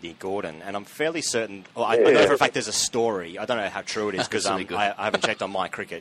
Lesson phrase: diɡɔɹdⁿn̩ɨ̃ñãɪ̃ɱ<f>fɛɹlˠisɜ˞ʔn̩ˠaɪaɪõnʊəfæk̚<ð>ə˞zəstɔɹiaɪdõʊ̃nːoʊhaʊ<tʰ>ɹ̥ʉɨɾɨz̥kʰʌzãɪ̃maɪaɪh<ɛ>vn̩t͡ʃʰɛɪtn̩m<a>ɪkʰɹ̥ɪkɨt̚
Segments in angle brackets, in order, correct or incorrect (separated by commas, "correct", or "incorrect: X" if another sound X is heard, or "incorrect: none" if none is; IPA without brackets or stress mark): correct, correct, correct, incorrect: æ, correct